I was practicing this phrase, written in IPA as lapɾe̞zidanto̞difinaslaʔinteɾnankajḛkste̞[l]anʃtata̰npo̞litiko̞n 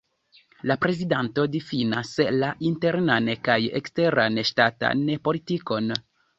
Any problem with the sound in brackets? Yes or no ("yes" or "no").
yes